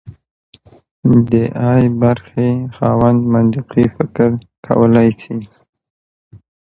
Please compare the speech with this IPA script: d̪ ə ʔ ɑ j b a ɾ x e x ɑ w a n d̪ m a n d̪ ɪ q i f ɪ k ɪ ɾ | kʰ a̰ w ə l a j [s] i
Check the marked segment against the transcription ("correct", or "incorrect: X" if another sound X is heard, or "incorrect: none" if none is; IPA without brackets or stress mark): correct